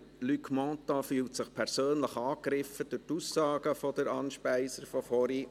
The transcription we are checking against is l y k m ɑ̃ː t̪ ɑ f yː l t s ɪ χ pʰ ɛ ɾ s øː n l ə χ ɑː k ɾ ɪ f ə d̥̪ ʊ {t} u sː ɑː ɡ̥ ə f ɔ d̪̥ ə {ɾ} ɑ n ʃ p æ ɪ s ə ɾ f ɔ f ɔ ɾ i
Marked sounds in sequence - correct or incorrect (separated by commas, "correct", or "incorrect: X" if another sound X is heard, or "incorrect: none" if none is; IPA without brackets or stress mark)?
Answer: correct, correct